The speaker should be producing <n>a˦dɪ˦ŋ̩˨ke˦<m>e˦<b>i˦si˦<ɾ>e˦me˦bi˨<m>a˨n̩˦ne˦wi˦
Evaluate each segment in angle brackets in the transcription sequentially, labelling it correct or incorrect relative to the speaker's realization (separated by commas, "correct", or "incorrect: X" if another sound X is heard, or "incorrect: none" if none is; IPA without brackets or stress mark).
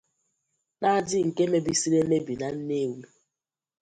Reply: correct, correct, correct, correct, incorrect: n